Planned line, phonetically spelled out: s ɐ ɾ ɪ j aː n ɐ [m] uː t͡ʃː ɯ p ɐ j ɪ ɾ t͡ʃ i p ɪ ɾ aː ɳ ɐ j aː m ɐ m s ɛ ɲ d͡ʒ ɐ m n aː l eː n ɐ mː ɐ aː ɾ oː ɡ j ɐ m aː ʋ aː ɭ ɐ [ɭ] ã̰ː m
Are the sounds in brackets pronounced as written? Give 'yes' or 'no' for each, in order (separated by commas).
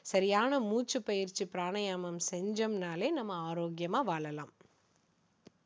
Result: yes, no